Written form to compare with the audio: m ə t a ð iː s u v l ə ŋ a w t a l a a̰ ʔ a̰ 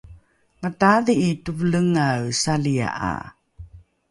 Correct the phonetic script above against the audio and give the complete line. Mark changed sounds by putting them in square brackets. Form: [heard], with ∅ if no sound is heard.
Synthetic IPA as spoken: m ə t a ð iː [t] u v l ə ŋ a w [s] a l [i] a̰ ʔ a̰